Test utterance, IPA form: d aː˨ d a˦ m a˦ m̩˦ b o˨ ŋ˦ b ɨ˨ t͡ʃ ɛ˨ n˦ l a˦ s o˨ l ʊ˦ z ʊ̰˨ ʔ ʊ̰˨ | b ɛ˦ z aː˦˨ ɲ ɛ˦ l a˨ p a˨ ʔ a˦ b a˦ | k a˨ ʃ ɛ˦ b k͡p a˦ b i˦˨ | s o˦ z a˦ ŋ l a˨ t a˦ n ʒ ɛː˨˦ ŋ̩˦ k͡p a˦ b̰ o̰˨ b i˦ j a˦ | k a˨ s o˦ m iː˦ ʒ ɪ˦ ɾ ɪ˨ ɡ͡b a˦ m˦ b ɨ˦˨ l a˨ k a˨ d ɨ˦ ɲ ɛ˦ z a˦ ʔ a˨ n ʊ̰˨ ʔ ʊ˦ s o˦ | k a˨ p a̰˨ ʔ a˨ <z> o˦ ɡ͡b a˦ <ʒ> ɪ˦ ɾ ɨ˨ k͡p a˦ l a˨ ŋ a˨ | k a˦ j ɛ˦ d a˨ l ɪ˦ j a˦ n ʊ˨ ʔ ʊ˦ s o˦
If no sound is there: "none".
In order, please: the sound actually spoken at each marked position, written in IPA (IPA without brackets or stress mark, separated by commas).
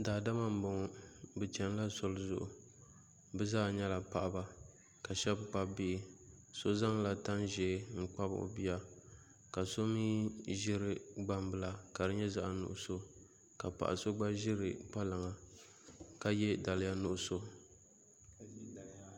s, ʒ